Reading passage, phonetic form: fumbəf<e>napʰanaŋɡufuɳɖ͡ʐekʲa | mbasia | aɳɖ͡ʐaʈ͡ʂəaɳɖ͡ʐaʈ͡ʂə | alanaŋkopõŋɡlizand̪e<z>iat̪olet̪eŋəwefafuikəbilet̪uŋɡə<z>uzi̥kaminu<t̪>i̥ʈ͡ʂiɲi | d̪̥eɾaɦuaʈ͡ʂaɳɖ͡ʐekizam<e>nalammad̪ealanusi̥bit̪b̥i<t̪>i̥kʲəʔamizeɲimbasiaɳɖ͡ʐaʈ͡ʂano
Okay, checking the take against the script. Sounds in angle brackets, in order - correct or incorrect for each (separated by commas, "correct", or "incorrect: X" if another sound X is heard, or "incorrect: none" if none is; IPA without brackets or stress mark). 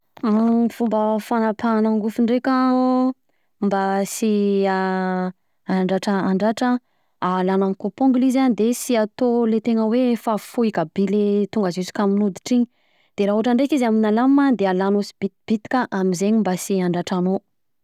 incorrect: a, incorrect: s, correct, incorrect: d̪, incorrect: i, correct